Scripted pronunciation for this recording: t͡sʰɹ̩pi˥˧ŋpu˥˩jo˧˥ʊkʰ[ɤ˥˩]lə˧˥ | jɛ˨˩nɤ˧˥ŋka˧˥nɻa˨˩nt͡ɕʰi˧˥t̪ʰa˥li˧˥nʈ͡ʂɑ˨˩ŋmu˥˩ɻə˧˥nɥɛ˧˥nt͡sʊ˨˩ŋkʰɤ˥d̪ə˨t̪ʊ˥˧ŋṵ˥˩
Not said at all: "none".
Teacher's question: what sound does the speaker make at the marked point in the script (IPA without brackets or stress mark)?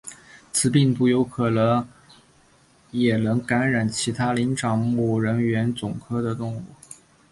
ɤ˨˩